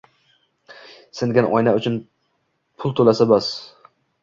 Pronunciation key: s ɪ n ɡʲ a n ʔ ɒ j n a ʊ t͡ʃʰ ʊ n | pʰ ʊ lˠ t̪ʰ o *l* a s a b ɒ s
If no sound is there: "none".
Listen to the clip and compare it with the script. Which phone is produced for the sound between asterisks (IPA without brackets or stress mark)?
l